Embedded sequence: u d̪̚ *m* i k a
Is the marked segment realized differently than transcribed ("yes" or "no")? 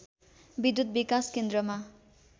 yes